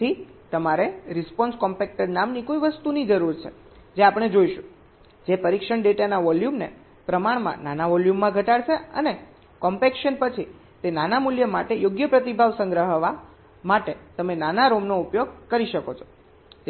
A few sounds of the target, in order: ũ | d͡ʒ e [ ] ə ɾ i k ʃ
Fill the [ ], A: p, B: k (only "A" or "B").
A